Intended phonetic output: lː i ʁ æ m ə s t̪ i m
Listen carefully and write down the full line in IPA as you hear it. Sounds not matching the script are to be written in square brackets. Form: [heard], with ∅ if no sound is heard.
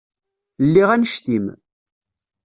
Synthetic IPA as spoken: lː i ʁ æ [n] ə [ʃ] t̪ i m